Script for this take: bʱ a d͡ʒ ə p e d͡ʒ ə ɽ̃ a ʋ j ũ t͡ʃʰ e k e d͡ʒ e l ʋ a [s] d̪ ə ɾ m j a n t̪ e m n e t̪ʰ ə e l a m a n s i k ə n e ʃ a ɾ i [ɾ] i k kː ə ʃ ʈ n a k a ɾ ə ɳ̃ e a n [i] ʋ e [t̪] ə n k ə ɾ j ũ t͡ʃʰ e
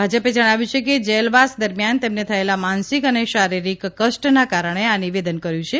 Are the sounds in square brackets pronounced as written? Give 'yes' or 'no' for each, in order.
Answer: yes, yes, yes, no

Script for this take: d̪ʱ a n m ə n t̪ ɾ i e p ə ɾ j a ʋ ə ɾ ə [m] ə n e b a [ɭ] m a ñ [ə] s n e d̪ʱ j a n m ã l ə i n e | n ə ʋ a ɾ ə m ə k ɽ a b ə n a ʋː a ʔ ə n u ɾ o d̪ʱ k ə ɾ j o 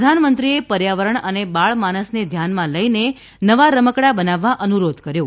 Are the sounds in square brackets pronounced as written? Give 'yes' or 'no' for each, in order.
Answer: no, yes, yes

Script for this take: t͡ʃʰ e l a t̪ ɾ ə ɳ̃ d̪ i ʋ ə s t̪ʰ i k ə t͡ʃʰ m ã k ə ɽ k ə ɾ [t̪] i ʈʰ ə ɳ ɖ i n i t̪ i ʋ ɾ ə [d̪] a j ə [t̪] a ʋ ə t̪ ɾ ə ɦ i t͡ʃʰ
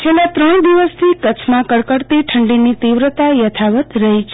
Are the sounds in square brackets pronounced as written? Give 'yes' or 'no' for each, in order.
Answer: yes, no, no

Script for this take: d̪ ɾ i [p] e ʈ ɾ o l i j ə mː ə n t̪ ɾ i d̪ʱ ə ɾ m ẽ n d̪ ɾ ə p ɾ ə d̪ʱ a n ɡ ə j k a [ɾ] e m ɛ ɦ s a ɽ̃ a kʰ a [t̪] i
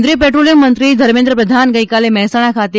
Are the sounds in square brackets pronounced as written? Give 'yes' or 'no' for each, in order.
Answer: yes, no, yes

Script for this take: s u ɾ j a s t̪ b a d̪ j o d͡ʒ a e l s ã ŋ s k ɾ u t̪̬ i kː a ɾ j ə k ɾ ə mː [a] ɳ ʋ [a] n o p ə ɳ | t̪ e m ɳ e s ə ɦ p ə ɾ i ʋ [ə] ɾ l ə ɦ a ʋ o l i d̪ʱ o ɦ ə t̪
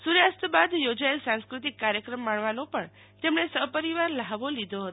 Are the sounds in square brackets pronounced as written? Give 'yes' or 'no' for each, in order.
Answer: yes, yes, no

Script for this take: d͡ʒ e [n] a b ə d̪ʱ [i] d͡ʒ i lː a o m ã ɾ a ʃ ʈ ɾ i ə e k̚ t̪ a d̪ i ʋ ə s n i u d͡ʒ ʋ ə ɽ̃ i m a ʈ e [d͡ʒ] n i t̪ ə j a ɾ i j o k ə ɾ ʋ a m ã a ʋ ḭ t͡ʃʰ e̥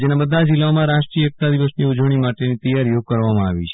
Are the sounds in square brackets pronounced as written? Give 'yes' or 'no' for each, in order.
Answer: yes, no, no

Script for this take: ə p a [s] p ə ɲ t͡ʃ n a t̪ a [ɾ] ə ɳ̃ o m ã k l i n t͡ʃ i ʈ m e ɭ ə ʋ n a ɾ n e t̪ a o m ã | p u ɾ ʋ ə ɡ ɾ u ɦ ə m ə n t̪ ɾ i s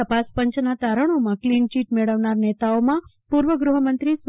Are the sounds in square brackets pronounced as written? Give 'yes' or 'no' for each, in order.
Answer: yes, yes

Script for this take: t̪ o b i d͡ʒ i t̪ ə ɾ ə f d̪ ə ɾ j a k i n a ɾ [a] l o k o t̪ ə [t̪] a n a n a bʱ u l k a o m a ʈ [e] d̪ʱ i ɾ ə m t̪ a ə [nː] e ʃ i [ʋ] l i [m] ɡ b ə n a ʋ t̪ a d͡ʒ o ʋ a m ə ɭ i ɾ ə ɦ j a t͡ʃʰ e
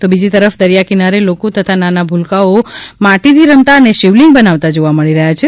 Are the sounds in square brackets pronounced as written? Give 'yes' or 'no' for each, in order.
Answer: no, no, no, no, yes, no

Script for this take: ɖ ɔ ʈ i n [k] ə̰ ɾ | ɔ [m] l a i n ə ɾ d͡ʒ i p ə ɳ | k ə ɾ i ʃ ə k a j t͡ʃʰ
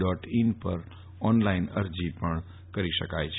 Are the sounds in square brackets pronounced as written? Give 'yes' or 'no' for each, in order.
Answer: no, no

